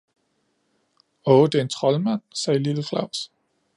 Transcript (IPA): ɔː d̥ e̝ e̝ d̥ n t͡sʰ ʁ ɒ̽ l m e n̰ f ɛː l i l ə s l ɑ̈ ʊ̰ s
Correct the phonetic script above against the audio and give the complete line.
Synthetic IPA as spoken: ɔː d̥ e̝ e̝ n t͡sʰ ʁ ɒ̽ l m æ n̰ s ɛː l i l ə f l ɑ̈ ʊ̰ s